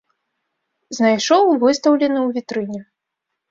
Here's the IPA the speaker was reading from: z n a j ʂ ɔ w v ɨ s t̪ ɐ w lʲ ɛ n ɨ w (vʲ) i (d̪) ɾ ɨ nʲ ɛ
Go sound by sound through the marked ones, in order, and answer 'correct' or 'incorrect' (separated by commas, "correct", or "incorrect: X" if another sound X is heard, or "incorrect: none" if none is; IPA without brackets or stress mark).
correct, incorrect: t̪